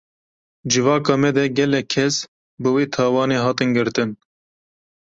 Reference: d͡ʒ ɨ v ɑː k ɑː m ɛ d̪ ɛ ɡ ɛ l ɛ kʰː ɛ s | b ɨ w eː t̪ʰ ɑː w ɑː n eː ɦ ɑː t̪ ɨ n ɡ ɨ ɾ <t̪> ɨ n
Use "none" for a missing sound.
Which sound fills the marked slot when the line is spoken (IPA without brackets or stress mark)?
t̪